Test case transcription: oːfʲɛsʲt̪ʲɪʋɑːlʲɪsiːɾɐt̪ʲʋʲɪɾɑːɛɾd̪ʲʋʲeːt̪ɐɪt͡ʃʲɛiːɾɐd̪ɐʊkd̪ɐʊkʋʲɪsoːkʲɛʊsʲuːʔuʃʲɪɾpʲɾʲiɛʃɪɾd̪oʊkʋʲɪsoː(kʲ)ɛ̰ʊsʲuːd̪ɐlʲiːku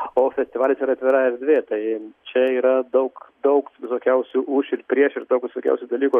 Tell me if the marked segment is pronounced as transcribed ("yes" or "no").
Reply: yes